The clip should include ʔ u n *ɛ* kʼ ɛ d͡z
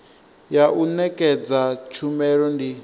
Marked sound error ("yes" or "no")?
no